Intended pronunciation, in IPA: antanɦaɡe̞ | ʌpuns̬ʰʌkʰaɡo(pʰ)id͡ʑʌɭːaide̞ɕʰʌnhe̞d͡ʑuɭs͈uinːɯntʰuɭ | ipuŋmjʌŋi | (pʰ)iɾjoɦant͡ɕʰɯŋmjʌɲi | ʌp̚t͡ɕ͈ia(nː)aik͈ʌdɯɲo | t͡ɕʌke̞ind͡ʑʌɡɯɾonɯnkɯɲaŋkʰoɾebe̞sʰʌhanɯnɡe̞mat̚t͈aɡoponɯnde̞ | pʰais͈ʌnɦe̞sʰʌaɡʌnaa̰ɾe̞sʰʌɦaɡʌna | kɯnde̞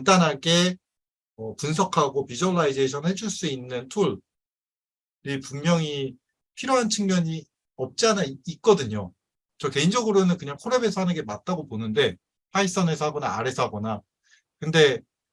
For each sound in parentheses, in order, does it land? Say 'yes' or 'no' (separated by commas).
no, yes, no